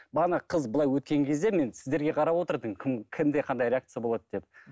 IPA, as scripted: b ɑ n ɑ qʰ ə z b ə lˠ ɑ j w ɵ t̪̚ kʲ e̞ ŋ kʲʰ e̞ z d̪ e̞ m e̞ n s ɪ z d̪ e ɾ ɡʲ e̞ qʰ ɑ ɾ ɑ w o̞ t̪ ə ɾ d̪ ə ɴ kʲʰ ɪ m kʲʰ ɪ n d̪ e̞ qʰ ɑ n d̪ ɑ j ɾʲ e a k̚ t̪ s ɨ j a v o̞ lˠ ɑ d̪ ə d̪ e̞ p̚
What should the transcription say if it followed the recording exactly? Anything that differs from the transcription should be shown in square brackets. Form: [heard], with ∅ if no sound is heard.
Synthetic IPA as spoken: b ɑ n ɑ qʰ ə z b ə lˠ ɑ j w ɵ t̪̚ kʲ e̞ ŋ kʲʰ e̞ z d̪ e̞ m e̞ n s ɪ z d̪ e ɾ ɡʲ e̞ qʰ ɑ ɾ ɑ w o̞ t̪ ə ɾ d̪ ə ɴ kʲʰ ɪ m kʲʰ ɪ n d̪ e̞ qʰ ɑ n d̪ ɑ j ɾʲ e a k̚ t̪ s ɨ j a [b] o̞ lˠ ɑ d̪ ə d̪ e̞ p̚

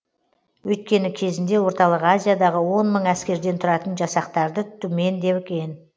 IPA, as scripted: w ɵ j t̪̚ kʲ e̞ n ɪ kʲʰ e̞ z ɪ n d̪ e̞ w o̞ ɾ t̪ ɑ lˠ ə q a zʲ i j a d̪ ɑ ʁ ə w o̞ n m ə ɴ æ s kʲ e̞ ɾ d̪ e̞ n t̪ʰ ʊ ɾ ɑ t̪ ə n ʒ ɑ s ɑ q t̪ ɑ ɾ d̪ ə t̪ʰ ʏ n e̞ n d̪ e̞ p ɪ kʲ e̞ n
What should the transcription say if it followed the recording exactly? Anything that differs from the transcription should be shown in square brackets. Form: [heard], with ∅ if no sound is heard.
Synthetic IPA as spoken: w ɵ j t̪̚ kʲ e̞ n ɪ kʲʰ e̞ z ɪ n d̪ e̞ w o̞ ɾ t̪ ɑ lˠ ə q a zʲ i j a d̪ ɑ ʁ ə w o̞ n m ə ɴ æ s kʲ e̞ ɾ d̪ e̞ n t̪ʰ ʊ ɾ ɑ t̪ ə n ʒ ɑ s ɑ q t̪ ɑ ɾ d̪ ə t̪ʰ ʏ [m] e̞ n d̪ e̞ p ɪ kʲ e̞ n

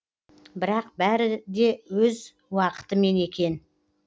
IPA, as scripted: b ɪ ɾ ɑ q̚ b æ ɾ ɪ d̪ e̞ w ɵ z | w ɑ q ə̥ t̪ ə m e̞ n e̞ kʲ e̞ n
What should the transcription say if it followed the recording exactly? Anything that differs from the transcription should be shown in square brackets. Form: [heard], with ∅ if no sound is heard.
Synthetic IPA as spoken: b ɪ ɾ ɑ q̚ b æ ɾ ɪ d̪ e̞ w ɵ z | w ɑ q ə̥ t̪ ə m e̞ n e̞ kʲ e̞ n

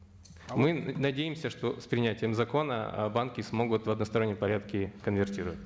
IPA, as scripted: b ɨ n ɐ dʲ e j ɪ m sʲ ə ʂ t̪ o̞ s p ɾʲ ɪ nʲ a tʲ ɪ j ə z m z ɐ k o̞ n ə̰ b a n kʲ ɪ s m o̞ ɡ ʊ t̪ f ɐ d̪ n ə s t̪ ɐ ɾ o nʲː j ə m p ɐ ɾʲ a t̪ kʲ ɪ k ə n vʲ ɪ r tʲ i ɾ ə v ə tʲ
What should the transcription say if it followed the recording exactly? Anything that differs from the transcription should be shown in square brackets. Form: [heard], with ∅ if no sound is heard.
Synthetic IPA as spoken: [m] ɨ n ɐ dʲ e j ɪ m sʲ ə ʂ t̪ o̞ s p ɾʲ ɪ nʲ [æ] tʲ ɪ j ə [∅] m z ɐ k o̞ n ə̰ b a n kʲ ɪ s m o̞ ɡ ʊ t̪ [v] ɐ d̪ n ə s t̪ ɐ ɾ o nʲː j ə m p ɐ ɾʲ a t̪ kʲ ɪ k ə n vʲ ɪ r tʲ i ɾ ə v ə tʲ

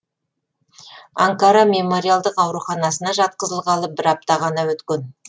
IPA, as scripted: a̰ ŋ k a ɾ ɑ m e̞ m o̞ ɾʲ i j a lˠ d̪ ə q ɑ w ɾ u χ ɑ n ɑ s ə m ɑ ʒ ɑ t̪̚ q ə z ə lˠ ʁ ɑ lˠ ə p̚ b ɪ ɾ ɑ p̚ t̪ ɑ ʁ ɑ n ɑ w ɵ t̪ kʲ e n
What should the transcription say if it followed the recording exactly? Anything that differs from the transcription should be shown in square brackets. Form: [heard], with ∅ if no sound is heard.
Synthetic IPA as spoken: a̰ ŋ k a ɾ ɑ m e̞ m o̞ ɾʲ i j a lˠ d̪ ə q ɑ w ɾ u χ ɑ n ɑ s ə [n] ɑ ʒ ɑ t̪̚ q ə z ə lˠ ʁ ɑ lˠ ə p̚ b ɪ ɾ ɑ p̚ t̪ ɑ ʁ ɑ n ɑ w ɵ t̪ kʲ e n

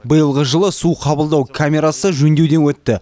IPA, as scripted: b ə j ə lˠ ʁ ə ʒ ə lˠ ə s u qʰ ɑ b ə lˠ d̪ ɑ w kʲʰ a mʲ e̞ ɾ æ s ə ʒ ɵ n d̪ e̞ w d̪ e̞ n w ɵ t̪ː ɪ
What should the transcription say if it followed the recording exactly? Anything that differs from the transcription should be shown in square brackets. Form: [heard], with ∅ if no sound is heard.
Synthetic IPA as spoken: b ə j ə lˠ ʁ ə ʒ ə lˠ ə s u qʰ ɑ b ə lˠ d̪ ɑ w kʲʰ a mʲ e̞ ɾ [a] s ə ʒ ɵ n d̪ e̞ w d̪ e̞ n w ɵ t̪ː ɪ

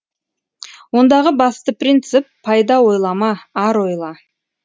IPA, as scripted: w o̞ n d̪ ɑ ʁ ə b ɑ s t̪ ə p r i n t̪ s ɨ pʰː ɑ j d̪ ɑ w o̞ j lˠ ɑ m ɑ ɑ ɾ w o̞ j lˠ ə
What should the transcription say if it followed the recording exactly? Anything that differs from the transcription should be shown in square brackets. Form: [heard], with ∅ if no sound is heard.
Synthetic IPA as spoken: w o̞ n d̪ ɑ ʁ ə b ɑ s t̪ ə p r i n t̪ s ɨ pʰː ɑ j d̪ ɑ w o̞ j lˠ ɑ m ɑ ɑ ɾ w o̞ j lˠ [ɑ]

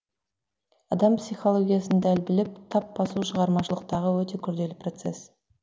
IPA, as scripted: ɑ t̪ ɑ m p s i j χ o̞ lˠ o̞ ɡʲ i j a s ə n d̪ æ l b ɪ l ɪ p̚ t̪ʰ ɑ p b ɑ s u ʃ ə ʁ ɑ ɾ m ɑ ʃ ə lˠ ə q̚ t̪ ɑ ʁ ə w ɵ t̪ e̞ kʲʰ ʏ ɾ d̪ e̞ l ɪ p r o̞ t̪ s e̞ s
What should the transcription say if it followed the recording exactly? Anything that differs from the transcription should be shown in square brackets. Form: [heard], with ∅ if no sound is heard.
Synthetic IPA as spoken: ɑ [d̪] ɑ m p s i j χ o̞ lˠ o̞ ɡʲ i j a s ə n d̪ æ l b ɪ l ɪ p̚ t̪ʰ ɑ p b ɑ s u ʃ ə ʁ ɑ ɾ m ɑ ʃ ə lˠ ə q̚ t̪ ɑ ʁ ə w ɵ t̪ e̞ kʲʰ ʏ ɾ d̪ e̞ l ɪ p r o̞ t̪ s e̞ s

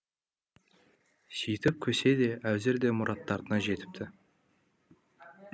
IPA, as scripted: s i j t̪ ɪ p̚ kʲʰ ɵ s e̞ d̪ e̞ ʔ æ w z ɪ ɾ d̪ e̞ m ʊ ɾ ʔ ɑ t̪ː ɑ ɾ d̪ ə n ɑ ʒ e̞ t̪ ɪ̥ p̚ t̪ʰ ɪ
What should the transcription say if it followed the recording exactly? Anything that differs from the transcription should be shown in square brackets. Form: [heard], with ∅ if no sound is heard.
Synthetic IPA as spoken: s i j t̪ ɪ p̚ kʲʰ ɵ s e̞ d̪ e̞ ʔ æ w z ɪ ɾ d̪ e̞ m ʊ ɾ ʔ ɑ t̪ː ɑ ɾ d̪ ə n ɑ ʒ e̞ t̪ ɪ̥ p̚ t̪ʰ ɪ

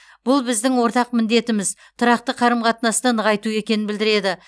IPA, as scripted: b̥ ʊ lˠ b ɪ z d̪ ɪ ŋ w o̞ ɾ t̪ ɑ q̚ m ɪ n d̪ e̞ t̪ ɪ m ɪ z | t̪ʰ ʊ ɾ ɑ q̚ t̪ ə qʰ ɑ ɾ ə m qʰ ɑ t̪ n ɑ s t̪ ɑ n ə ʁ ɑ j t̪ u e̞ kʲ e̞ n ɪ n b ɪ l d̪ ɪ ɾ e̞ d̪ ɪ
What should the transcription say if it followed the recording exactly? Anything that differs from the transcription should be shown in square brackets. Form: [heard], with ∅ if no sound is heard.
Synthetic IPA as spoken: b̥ ʊ lˠ b ɪ z d̪ ɪ ŋ w o̞ ɾ t̪ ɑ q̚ m ɪ n d̪ e̞ t̪ ɪ m ɪ z | t̪ʰ ʊ ɾ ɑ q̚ t̪ ə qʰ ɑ ɾ ə m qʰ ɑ t̪ n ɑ s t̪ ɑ n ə ʁ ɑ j t̪ u e̞ kʲ e̞ n ɪ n b ɪ l d̪ ɪ ɾ e̞ d̪ ɪ

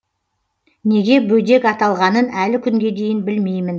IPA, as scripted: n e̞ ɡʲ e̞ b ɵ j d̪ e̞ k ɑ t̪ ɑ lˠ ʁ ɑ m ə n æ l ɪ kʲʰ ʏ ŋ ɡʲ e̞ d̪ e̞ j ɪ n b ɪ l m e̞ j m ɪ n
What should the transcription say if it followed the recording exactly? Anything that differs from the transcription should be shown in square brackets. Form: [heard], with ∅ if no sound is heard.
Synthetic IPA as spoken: n e̞ ɡʲ e̞ b ɵ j d̪ e̞ k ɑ t̪ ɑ lˠ ʁ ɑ [n] ə n æ l ɪ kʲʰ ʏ ŋ ɡʲ e̞ d̪ e̞ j ɪ n b ɪ l m e̞ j m ɪ n

